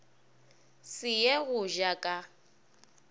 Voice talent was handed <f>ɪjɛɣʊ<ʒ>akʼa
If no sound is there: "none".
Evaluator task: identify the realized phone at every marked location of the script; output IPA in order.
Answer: s, ʒ

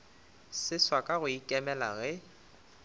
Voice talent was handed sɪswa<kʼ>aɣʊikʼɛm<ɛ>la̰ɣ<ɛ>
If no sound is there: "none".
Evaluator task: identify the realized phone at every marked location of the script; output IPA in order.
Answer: kʼ, ɛ, ɛ

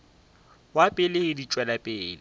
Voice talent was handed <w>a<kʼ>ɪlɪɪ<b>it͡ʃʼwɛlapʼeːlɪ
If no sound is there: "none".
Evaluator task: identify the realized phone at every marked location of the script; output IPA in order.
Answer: w, pʼ, d

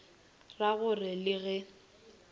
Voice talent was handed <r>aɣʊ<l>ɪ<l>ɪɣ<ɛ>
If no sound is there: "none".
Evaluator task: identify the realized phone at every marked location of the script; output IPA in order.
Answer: r, r, l, ɛ

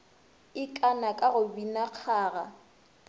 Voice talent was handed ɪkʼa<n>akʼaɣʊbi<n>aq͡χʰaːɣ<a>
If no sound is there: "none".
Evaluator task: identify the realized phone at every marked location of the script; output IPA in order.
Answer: n, n, a

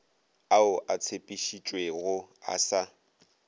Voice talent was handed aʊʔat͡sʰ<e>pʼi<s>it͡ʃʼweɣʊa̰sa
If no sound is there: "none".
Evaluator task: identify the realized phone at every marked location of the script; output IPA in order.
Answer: e, ʃ

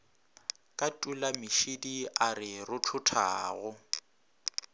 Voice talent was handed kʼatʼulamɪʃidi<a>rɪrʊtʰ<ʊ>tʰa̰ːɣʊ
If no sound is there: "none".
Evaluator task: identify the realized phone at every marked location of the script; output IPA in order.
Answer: a, ʊ

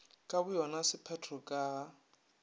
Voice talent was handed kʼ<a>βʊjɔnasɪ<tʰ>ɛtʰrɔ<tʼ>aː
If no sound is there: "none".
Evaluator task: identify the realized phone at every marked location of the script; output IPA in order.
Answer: a, pʰ, kʼ

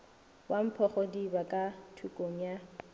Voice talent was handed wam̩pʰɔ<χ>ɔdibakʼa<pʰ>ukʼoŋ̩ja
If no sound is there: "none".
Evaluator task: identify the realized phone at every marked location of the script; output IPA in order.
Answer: χ, tʰ

